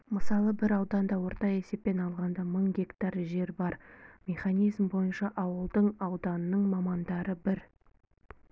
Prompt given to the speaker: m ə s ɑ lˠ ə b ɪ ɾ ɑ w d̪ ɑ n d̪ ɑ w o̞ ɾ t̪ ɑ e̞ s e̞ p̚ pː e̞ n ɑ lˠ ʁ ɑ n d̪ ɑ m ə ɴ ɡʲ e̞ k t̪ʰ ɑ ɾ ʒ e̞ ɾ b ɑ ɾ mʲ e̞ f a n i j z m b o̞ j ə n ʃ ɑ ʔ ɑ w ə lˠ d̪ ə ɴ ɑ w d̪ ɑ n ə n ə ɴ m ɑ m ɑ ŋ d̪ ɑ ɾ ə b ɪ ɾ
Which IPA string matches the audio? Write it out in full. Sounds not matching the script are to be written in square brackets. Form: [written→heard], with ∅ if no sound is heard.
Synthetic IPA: m ə s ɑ lˠ ə b ɪ ɾ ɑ w d̪ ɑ n d̪ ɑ w o̞ ɾ t̪ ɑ e̞ s e̞ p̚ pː e̞ n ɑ lˠ ʁ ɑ n d̪ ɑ m ə ɴ ɡʲ e̞ k [t̪ʰ→t̪] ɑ ɾ ʒ e̞ ɾ b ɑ ɾ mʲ e̞ [f→χ] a n i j z m b o̞ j ə n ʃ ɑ ʔ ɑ w ə lˠ d̪ ə ɴ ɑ w d̪ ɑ n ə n ə ɴ m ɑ m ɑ [ŋ→n] d̪ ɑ ɾ ə b ɪ ɾ